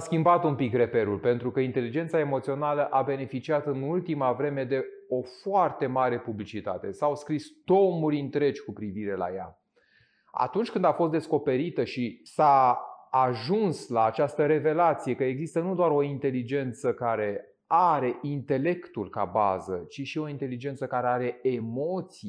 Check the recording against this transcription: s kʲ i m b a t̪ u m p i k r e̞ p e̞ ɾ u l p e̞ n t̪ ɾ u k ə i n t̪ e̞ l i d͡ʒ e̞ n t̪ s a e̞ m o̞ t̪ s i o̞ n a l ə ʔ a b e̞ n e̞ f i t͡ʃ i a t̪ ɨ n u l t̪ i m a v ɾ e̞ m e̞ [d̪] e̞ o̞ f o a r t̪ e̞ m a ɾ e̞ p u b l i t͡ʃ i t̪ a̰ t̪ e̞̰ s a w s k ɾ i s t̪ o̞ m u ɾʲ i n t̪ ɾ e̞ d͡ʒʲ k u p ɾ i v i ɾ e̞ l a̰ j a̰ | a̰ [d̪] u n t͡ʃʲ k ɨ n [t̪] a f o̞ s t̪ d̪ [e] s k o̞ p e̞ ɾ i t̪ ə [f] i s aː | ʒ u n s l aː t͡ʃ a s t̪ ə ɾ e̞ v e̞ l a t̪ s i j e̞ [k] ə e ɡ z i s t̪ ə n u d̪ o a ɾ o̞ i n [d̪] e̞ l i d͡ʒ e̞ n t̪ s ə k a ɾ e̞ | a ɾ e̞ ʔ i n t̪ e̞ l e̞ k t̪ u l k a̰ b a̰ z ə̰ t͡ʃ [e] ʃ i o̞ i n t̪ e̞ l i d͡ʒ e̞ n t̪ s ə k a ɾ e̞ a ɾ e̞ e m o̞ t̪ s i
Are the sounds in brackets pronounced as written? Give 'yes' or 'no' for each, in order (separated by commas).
yes, no, no, yes, no, yes, no, no